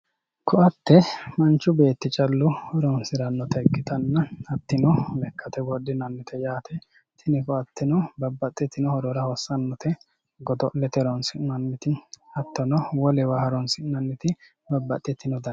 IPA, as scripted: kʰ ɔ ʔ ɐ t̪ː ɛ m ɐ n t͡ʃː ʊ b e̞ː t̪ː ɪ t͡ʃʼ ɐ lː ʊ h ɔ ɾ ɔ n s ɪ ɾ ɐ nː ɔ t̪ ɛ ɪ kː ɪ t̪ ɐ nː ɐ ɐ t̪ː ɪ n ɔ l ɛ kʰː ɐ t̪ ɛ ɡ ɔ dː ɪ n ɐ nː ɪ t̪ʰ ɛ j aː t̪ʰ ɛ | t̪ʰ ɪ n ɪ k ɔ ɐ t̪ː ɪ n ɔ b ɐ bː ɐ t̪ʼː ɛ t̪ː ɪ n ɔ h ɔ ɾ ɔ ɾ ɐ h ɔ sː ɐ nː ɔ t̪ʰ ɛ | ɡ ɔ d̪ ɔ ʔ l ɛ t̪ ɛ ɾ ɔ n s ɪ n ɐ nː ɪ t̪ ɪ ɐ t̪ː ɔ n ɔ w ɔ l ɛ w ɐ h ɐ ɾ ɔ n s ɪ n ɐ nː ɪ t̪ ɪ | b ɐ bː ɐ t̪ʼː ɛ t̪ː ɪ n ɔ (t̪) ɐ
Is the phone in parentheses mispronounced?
yes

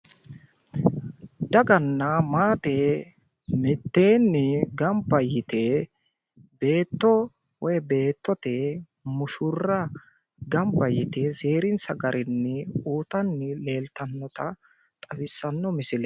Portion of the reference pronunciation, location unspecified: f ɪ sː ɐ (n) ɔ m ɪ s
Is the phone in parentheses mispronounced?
yes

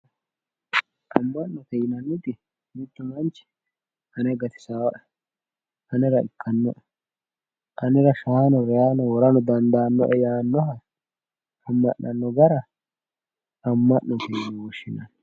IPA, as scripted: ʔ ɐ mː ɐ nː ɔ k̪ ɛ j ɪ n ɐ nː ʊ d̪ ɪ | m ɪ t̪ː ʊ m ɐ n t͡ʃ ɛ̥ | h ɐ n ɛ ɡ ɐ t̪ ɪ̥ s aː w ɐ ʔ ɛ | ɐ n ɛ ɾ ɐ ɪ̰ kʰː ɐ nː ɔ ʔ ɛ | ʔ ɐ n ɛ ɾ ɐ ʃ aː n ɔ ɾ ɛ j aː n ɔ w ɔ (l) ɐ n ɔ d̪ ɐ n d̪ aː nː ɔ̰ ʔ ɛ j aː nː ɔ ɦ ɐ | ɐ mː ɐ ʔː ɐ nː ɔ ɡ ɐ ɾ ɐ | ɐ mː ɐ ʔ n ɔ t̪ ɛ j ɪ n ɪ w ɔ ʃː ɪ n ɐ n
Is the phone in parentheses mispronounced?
yes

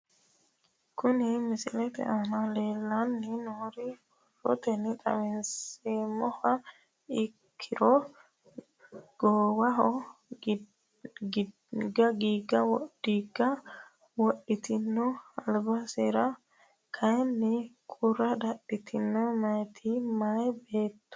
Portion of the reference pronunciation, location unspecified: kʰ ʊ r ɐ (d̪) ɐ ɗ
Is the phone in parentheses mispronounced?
no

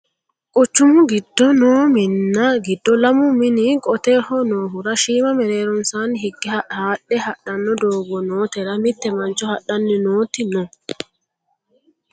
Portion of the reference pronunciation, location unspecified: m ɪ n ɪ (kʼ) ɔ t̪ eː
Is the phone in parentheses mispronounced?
no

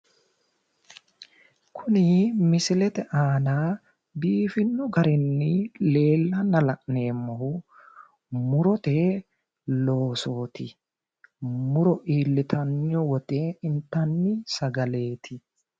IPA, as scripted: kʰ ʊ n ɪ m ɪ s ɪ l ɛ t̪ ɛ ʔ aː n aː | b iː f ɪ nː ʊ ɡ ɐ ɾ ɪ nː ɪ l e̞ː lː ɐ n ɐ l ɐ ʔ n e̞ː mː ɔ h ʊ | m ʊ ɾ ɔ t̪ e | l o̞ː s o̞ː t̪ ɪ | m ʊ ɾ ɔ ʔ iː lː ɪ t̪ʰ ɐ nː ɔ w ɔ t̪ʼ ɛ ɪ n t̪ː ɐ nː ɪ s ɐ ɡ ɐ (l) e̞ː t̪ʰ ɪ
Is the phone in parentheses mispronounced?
no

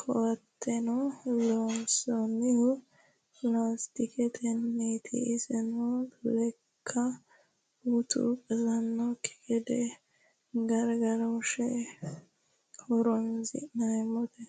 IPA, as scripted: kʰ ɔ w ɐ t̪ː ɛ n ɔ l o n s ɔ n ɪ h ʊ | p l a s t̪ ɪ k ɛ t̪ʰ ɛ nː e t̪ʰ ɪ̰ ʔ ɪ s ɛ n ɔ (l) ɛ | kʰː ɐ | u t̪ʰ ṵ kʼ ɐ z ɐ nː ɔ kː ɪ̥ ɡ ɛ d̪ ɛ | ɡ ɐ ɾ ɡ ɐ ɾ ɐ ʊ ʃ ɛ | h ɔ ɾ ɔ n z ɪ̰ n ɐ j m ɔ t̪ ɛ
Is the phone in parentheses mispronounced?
no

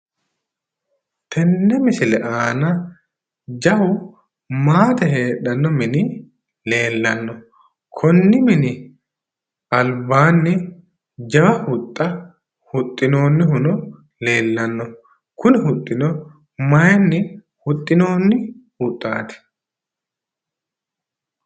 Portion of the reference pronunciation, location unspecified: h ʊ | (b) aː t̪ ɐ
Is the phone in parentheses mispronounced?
yes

